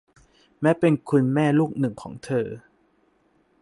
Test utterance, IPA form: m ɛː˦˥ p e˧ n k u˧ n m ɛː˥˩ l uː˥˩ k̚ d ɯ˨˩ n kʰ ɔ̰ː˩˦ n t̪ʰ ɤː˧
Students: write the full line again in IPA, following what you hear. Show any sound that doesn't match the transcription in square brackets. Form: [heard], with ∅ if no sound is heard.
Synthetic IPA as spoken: m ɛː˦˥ p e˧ n [kʰ] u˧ n m ɛː˥˩ l uː˥˩ k̚ [n] ɯ˨˩ [ŋ] kʰ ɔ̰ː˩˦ [ŋ] t̪ʰ ɤː˧